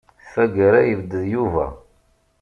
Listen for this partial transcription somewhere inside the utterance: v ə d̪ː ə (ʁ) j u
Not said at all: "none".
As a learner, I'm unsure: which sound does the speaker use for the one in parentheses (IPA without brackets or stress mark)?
ð